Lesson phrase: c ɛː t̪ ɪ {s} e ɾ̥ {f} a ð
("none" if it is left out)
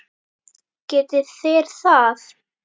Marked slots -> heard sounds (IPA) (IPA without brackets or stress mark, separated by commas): θ, θ